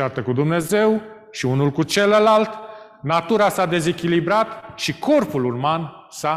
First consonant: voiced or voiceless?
voiceless